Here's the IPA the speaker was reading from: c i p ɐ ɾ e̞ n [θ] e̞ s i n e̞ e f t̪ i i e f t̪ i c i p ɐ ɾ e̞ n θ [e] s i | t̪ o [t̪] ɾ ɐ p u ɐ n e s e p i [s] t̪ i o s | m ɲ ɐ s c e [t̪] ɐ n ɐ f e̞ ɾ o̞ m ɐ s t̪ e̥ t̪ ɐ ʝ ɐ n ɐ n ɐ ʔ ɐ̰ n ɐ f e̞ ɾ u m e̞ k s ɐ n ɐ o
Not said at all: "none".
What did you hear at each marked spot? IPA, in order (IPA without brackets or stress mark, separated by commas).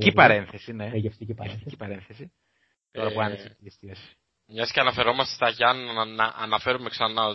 θ, e, none, s, none